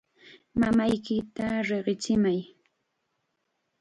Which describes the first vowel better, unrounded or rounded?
unrounded